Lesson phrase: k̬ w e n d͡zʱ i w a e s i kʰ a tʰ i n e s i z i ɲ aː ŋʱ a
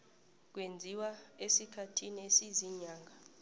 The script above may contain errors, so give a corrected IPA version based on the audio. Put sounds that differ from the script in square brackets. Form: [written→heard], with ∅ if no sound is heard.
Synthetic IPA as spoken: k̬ w e n d͡zʱ i w a e s i kʰ a tʰ i n e s i z i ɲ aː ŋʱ a